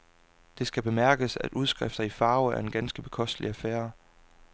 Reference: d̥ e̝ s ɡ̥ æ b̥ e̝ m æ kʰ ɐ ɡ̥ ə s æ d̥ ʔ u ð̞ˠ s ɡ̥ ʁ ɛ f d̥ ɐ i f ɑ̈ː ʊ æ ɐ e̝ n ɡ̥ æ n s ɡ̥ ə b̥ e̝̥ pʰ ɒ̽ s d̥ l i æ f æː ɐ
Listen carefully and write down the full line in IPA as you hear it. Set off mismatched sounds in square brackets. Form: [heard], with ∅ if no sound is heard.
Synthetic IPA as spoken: d̥ e̝ s ɡ̥ æ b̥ e̝ m æ [∅] ɐ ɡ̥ ə s æ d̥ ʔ u ð̞ˠ s ɡ̥ ʁ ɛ f d̥ ɐ i f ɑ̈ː ʊ æ ɐ e̝ n ɡ̥ æ n s ɡ̥ ə b̥ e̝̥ [kʰ] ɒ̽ s d̥ l i æ f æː ɐ